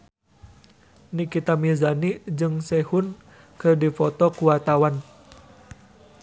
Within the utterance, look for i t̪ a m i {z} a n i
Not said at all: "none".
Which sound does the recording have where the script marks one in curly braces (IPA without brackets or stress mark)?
z